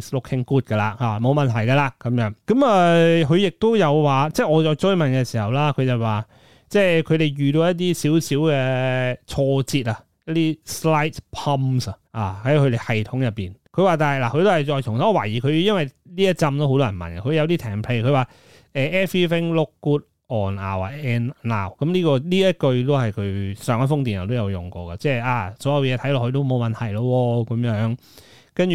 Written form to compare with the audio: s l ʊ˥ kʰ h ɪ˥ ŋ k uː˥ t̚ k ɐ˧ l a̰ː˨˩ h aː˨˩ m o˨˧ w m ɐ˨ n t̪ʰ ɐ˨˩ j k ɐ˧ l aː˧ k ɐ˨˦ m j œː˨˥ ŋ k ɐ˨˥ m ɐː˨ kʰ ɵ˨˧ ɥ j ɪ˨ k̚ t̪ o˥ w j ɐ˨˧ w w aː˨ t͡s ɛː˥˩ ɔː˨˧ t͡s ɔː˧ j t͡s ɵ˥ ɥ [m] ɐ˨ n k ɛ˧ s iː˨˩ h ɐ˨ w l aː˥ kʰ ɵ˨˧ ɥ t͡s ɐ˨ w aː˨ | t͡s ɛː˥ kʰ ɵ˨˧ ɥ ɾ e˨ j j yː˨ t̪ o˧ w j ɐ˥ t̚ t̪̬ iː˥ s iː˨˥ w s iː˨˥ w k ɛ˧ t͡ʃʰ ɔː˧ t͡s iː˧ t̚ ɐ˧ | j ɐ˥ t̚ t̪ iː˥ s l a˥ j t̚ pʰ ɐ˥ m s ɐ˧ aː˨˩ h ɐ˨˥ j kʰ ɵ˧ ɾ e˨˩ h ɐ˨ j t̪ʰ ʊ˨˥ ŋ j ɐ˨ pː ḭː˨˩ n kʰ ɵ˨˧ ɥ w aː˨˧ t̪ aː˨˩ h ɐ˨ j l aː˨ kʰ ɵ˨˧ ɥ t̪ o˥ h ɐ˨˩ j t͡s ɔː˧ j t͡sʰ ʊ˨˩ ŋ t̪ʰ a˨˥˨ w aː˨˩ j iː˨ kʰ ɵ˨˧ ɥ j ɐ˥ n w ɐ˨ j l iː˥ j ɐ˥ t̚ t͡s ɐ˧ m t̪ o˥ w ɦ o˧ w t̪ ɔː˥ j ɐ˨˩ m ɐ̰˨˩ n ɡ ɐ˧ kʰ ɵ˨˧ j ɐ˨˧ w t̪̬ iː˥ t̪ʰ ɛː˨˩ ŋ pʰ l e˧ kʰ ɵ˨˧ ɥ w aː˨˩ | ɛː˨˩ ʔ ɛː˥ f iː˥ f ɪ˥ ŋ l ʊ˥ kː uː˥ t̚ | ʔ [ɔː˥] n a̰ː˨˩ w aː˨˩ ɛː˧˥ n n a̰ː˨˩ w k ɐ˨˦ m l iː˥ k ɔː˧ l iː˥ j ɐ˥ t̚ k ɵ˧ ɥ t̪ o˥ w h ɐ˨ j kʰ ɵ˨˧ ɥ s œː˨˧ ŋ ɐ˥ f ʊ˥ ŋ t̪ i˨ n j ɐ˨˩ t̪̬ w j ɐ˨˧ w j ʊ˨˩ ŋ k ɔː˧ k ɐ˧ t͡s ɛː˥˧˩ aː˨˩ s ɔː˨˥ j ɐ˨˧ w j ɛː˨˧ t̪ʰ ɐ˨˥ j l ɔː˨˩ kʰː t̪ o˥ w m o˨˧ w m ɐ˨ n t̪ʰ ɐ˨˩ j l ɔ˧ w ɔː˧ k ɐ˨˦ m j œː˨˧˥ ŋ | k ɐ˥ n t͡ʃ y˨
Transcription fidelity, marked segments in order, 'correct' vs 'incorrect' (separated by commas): correct, incorrect